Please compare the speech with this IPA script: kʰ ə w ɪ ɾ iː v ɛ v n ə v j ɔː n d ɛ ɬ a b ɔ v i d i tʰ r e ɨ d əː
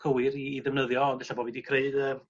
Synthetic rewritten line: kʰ ə w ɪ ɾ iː ð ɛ v n ə ð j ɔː n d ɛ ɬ a b ɔ v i d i kʰ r e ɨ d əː